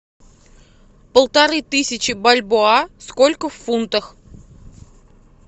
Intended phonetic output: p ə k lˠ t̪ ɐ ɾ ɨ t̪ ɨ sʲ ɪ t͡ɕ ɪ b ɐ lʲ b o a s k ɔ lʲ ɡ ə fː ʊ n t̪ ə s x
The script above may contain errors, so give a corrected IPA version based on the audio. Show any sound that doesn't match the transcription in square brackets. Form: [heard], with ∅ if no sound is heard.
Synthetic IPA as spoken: p ə [∅] lˠ t̪ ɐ ɾ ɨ t̪ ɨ sʲ ɪ t͡ɕ ɪ b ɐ lʲ b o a s k [o] lʲ [k] ə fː [u] n t̪ ə [∅] x